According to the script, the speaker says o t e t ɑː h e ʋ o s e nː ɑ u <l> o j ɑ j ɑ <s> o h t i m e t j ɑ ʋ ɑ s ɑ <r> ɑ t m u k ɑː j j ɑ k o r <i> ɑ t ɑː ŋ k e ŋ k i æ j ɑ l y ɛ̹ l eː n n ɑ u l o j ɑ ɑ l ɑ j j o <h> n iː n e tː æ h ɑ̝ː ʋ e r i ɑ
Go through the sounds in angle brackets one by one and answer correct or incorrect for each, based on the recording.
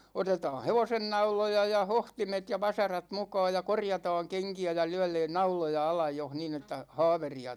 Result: correct, incorrect, correct, incorrect, correct

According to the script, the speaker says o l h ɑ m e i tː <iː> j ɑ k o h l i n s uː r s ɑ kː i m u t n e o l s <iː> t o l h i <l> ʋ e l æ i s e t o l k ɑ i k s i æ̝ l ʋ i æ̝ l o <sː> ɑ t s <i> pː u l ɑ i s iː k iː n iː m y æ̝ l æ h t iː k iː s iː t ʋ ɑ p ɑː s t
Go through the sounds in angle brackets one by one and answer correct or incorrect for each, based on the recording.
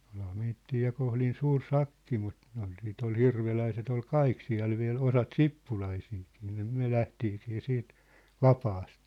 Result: correct, correct, incorrect, incorrect, correct

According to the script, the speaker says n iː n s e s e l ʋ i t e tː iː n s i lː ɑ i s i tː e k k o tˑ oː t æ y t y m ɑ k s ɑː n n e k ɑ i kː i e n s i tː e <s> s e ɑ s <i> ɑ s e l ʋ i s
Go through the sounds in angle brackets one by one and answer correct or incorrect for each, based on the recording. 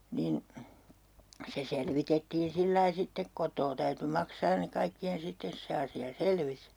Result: correct, correct

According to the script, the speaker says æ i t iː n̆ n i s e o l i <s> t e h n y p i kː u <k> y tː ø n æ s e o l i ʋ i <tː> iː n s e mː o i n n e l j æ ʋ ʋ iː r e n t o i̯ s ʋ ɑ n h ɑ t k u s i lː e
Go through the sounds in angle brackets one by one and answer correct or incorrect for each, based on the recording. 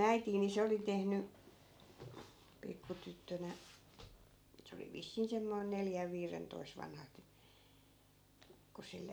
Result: incorrect, incorrect, incorrect

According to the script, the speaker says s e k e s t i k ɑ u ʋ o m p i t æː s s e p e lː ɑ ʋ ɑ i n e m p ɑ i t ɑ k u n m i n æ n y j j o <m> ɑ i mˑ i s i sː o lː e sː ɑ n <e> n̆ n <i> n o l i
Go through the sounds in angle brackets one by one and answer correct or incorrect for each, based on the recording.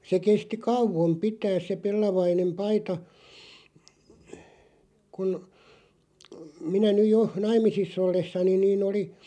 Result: incorrect, incorrect, incorrect

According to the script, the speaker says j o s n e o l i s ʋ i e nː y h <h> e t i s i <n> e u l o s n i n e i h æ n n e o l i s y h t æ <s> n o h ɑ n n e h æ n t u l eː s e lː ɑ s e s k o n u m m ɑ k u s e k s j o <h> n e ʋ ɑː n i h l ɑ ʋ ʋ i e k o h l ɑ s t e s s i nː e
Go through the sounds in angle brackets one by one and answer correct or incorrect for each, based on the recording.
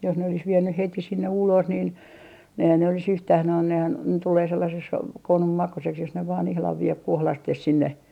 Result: correct, incorrect, incorrect, incorrect

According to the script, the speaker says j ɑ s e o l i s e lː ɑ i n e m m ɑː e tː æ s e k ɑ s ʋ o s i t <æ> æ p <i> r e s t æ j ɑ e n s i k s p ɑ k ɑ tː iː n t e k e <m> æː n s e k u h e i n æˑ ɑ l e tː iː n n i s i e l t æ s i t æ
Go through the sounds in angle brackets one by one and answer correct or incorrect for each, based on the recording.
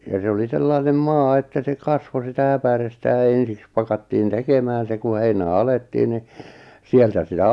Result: correct, incorrect, correct

